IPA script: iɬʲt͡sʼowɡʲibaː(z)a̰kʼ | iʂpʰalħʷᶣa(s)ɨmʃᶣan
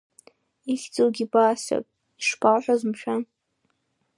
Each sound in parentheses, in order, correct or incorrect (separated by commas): incorrect, incorrect